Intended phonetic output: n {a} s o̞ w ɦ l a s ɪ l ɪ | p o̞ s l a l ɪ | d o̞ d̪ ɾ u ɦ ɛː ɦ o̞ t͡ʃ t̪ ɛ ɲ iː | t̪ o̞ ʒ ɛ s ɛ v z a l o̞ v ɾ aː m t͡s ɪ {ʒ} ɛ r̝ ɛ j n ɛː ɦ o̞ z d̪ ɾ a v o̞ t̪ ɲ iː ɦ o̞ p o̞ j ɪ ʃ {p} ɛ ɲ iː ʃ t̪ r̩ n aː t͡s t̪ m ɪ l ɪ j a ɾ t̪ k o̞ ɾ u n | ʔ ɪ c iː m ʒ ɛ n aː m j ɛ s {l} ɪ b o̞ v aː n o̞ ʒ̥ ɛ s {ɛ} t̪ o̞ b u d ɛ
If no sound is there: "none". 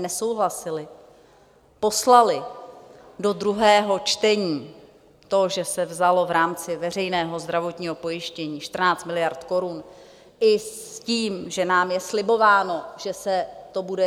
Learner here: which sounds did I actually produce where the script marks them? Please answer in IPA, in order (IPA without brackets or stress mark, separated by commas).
ɛ, v, c, l, ɛ